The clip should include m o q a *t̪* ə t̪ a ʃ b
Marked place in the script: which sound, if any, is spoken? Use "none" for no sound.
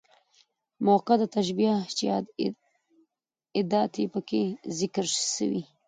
d̪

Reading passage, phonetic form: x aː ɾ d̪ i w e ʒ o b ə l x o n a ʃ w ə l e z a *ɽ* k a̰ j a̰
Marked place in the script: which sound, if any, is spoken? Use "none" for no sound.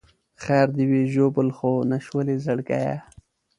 ɽ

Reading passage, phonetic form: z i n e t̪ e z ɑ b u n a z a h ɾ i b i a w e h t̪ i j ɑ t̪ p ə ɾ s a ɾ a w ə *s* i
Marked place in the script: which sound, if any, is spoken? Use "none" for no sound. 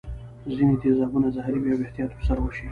ʃ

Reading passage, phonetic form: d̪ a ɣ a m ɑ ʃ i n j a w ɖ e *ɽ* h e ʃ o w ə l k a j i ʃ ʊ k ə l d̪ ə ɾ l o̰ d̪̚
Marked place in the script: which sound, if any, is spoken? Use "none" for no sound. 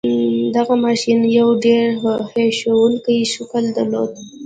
ɾ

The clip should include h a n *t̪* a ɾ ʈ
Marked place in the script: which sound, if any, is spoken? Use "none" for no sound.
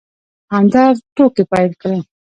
d̪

